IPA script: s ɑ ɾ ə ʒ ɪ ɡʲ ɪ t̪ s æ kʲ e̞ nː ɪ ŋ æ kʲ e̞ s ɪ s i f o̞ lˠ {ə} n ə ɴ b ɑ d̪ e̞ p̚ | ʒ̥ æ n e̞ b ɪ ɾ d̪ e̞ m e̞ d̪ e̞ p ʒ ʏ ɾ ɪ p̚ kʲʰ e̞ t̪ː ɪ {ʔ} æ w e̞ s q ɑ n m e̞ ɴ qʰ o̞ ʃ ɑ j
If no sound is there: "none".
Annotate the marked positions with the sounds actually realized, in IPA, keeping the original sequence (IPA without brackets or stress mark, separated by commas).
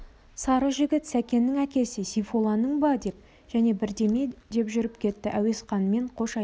ɑ, ʔ